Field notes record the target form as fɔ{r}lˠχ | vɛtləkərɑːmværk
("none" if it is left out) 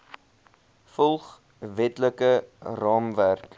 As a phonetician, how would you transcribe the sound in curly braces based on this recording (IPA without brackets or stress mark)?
none